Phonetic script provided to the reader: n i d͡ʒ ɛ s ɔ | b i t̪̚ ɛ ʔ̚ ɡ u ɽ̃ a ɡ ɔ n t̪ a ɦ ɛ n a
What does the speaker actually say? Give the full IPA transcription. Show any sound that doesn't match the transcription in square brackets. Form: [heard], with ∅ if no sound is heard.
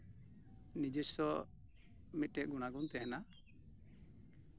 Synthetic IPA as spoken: n i d͡ʒ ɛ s ɔ | [m] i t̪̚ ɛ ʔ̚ ɡ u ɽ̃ a ɡ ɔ n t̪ [ɛ] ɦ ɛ n a

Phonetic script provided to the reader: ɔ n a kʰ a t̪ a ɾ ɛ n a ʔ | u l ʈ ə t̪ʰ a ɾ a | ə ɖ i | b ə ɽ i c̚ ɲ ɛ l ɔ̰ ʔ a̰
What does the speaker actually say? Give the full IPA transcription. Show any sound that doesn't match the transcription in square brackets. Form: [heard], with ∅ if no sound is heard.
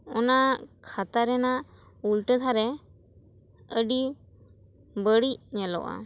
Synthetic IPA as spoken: ɔ n a kʰ a t̪ a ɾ ɛ n a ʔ | u l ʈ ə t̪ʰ a ɾ [ɛ] | ə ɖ i | b ə ɽ i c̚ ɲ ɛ l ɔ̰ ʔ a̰

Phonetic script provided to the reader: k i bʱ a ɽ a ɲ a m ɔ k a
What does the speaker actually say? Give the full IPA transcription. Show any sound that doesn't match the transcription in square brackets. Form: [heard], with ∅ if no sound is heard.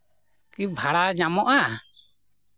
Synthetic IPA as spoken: k i bʱ a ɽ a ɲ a m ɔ [ʔ] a

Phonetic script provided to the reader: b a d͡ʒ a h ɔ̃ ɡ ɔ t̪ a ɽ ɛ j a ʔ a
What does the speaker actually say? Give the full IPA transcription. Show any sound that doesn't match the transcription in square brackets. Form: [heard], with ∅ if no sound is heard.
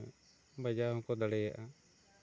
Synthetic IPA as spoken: b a d͡ʒ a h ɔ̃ [k] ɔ [d̪] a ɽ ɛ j a ʔ a

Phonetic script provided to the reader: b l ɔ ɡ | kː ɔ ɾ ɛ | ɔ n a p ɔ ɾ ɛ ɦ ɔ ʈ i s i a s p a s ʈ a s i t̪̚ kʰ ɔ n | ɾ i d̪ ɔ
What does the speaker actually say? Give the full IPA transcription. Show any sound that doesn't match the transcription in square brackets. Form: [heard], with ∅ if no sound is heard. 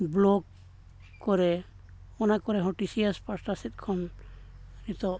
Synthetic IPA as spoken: b l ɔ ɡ | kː ɔ ɾ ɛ | ɔ n a [k] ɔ ɾ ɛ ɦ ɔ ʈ i s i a s p a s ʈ a s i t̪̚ kʰ ɔ n | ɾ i [t̪] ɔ

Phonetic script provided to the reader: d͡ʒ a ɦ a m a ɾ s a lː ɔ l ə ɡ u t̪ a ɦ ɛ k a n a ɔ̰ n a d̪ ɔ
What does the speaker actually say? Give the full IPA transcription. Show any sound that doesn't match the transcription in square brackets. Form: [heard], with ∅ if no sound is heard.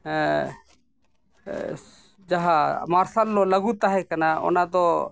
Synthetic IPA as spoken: d͡ʒ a ɦ a m a ɾ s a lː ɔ l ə ɡ u t̪ a ɦ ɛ k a n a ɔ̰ n a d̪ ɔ

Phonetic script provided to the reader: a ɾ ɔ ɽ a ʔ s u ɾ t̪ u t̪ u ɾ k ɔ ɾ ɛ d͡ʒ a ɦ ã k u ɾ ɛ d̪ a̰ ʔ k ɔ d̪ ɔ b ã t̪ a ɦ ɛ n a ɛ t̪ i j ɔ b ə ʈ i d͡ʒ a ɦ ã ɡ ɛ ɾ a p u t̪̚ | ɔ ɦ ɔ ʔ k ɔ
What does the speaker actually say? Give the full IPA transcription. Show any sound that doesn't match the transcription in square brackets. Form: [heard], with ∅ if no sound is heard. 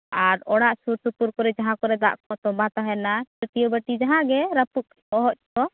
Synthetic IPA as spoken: a ɾ ɔ ɽ a ʔ s u ɾ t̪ u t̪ u ɾ k ɔ ɾ ɛ d͡ʒ a ɦ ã k [ɔ] ɾ ɛ d̪ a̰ ʔ k ɔ [t̪] ɔ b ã t̪ a ɦ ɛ n a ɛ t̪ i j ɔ b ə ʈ i d͡ʒ a ɦ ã ɡ ɛ ɾ a p u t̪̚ | ɔ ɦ ɔ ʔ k ɔ

